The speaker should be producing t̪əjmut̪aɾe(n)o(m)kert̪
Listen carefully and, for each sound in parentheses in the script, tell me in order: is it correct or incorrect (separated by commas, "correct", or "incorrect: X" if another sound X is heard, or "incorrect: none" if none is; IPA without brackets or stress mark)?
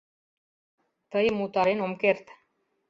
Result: correct, correct